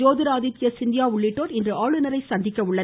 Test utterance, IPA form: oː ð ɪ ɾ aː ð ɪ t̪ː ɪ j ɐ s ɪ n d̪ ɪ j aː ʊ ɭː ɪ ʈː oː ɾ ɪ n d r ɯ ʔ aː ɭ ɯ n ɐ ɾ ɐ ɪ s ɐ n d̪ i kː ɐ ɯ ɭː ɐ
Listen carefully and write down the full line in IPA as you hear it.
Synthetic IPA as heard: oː ð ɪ ɾ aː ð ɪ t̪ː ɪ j ɐ s ɪ n d̪ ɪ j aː ʊ ɭː ɪ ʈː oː ɾ ɪ n d r ɯ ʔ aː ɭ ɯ n ɐ ɾ ɐ ɪ s ɐ n d̪ ɪ kː ɐ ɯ ɭː ɐ